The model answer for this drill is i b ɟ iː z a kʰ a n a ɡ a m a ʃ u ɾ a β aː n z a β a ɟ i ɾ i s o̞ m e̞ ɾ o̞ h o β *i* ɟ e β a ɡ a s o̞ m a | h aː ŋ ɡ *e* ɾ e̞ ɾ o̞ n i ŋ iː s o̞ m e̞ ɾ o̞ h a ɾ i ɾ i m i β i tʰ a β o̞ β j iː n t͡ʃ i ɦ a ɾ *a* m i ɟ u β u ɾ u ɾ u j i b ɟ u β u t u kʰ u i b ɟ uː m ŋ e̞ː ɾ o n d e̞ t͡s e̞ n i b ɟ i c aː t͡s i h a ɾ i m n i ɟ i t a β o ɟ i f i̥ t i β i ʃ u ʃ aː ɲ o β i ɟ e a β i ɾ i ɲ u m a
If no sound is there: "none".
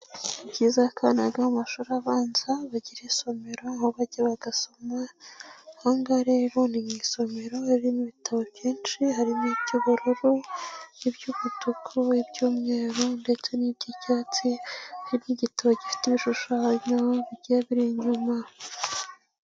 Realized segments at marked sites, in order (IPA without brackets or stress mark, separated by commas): a, a, i